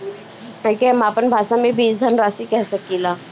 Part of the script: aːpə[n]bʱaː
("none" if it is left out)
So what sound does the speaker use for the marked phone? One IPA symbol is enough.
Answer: n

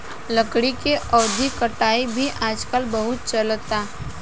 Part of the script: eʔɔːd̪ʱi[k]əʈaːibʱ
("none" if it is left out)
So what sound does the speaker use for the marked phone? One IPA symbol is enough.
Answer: k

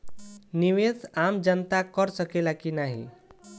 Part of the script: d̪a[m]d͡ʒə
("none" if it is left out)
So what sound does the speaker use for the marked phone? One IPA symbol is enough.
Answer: m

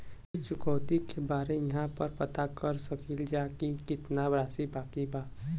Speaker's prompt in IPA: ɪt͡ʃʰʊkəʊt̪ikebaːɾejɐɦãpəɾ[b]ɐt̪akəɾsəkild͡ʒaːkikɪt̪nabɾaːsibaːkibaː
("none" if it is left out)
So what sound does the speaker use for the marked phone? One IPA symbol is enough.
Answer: p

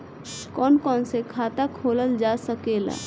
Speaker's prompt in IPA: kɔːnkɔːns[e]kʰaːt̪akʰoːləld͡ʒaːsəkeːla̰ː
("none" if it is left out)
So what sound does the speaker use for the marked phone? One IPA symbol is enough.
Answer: e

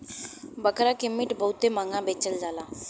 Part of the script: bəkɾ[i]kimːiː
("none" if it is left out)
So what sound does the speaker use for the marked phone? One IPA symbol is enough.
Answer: a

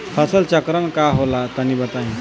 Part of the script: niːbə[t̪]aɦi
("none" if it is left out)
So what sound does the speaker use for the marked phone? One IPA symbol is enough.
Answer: t̪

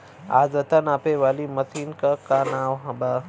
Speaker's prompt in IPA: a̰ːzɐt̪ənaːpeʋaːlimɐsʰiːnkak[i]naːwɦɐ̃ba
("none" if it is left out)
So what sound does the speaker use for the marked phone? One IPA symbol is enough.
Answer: a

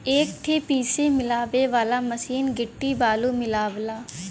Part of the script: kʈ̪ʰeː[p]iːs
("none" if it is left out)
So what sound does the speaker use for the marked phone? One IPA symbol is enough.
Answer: p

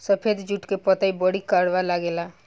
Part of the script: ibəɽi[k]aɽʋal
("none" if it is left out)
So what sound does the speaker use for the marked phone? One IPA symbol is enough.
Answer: k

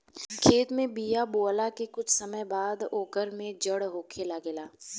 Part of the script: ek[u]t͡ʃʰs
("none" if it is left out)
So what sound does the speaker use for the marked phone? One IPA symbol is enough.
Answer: ʊ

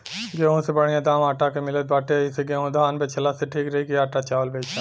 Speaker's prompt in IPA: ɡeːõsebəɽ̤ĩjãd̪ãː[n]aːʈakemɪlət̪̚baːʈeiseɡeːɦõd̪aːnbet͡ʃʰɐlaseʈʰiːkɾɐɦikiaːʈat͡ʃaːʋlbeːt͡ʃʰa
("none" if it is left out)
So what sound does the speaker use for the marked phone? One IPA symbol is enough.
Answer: m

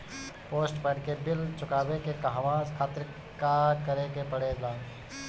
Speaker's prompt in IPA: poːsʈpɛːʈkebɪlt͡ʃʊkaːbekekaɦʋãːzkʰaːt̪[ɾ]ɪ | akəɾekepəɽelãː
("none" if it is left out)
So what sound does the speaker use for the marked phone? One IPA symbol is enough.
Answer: ɾ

